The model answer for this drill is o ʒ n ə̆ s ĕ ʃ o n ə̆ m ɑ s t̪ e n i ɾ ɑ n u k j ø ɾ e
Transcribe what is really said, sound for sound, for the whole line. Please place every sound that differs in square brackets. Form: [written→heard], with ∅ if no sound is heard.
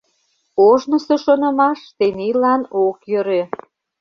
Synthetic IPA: o ʒ n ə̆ s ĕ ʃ o n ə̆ m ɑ [s→ʃ] t̪ e n i [ɾ→l] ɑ n [u→o] k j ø ɾ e